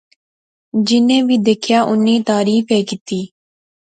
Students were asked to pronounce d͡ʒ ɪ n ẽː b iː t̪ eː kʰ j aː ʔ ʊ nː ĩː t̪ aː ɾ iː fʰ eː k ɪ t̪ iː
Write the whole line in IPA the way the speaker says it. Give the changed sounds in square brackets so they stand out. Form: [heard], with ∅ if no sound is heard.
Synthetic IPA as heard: d͡ʒ ɪ n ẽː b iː [d̪] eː kʰ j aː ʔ ʊ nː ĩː t̪ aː ɾ iː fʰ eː k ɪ t̪ iː